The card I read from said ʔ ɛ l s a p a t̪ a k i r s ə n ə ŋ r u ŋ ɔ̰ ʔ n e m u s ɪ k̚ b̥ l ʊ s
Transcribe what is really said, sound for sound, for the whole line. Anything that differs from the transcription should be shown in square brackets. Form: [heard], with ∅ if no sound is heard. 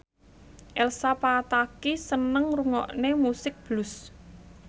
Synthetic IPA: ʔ ɛ l s a p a t̪ a k i [∅] s ə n ə ŋ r u ŋ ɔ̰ ʔ n e m u s ɪ k̚ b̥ l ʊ s